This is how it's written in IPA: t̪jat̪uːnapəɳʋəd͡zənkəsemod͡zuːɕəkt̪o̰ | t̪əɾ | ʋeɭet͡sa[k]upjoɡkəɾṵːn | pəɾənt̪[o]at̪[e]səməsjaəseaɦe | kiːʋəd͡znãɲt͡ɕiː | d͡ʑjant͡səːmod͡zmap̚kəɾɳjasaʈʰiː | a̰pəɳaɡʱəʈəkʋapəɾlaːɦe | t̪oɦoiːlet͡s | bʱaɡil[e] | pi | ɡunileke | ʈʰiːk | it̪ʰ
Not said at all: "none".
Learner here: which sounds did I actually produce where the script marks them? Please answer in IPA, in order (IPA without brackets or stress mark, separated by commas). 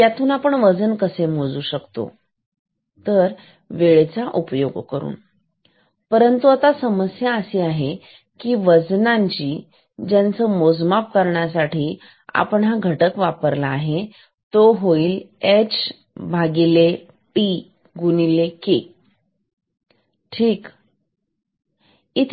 ʔ, u, a, e